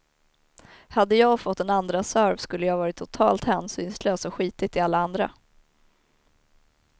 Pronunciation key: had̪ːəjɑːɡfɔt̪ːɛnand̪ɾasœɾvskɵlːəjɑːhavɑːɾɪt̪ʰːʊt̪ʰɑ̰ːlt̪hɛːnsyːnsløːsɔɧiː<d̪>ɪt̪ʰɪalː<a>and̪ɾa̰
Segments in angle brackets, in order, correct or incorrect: incorrect, correct

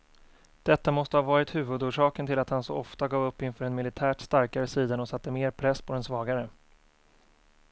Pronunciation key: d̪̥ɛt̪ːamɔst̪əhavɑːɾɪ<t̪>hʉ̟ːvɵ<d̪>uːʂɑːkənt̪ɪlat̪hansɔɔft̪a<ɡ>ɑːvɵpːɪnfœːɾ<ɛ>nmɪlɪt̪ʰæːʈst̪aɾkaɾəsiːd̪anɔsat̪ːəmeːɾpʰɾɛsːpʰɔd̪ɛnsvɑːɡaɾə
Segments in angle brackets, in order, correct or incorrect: correct, correct, correct, correct

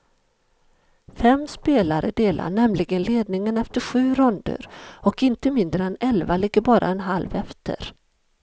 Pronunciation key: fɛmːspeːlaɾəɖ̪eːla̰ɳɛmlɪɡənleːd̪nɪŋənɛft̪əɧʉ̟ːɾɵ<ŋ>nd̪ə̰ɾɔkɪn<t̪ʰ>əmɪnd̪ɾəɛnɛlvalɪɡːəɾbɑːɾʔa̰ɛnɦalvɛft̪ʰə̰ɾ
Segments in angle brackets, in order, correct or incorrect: incorrect, incorrect

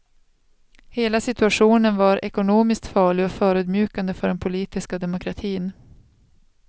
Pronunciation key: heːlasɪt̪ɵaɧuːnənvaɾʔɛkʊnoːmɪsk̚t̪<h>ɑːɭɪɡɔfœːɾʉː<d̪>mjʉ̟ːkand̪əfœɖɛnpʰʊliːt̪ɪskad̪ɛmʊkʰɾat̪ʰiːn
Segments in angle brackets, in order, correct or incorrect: incorrect, correct

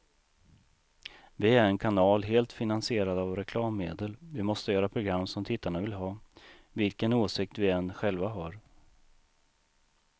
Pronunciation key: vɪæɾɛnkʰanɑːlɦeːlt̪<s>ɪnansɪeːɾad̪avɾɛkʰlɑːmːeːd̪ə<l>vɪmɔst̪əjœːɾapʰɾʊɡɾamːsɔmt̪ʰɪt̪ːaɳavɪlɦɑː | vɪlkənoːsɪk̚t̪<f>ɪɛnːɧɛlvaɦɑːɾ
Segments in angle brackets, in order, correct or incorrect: incorrect, correct, incorrect

